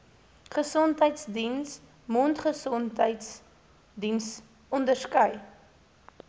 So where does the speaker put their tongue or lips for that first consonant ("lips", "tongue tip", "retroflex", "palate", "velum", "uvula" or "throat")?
uvula